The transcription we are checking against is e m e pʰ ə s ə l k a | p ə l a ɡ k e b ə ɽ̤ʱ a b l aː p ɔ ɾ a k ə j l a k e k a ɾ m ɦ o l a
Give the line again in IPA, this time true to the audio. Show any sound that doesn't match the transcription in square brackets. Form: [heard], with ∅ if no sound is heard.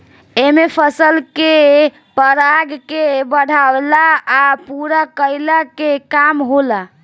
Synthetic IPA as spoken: e m e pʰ ə s ə l k [e] | p ə [ɾ] a ɡ k e b ə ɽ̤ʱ a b l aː p [u] ɾ a k ə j l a k e k a [∅] m ɦ o l a